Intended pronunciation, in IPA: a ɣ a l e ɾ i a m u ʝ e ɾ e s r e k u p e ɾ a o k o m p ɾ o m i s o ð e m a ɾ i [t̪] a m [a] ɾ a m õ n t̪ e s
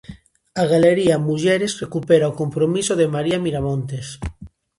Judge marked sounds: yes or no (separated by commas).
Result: no, no